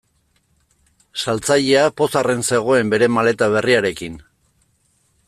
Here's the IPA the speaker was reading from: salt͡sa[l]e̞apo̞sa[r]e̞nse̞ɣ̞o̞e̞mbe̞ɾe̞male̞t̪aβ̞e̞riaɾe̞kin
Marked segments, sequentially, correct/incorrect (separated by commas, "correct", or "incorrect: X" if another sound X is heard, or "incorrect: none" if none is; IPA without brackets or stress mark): incorrect: ʎ, correct